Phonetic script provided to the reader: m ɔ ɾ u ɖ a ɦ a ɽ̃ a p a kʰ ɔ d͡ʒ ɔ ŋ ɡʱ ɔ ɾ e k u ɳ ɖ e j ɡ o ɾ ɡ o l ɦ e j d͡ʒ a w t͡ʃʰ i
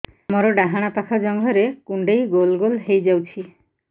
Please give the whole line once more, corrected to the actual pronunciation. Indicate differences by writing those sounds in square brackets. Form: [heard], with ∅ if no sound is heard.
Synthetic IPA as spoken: m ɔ ɾ [ɔ] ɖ a ɦ a ɽ̃ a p a kʰ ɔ d͡ʒ ɔ ŋ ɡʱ ɔ ɾ e k u ɳ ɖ e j ɡ o [l] ɡ o l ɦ e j d͡ʒ a w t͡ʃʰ i